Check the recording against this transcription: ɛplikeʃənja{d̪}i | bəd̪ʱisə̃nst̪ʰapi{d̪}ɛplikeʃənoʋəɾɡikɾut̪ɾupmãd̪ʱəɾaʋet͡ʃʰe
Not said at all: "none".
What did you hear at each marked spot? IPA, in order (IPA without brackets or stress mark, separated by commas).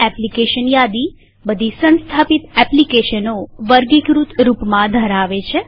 d̪, t̪